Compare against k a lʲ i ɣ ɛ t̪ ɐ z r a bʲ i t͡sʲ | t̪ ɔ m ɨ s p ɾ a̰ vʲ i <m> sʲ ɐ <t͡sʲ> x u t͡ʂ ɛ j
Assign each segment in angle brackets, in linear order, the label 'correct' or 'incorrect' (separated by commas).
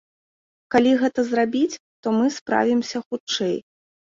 correct, incorrect